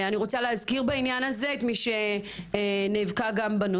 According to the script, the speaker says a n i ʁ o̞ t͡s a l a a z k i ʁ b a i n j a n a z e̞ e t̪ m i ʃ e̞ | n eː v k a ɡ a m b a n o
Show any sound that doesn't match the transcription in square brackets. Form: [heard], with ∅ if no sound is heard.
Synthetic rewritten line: a n i ʁ o̞ t͡s a l [e] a z k i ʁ b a i n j a n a z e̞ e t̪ m i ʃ e̞ | n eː v k a ɡ a m b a n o